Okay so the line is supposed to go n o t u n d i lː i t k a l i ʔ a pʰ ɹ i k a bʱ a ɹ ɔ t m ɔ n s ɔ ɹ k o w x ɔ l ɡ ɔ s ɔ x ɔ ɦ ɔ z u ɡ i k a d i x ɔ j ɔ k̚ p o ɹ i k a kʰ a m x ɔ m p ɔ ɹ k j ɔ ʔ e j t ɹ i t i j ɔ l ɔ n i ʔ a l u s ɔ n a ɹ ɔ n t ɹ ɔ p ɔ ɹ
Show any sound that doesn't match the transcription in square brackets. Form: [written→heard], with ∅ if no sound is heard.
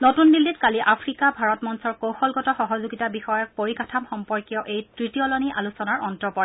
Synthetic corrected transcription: n o t u n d i lː i t k a l i ʔ a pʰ ɹ i k a bʱ a ɹ ɔ t m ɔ n s ɔ ɹ k o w x ɔ l ɡ ɔ [s→t] ɔ x ɔ ɦ ɔ z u ɡ i [k→t] a [d→b] i x ɔ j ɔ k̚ p o ɹ i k a [kʰ→tʰ] a m x ɔ m p ɔ ɹ k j ɔ ʔ e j t ɹ i t i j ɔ l ɔ n i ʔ a l u s ɔ n a ɹ ɔ n t ɹ ɔ p ɔ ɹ